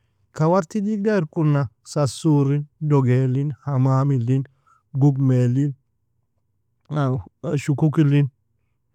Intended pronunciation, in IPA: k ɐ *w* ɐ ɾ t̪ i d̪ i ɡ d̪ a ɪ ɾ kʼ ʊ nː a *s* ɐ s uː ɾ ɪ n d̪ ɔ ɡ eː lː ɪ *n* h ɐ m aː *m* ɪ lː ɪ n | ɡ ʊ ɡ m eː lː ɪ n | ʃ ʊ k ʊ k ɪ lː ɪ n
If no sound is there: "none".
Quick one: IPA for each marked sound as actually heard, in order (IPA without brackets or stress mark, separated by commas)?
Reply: w, s, n, m